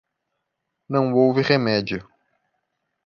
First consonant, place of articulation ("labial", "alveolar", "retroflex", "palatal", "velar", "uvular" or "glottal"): alveolar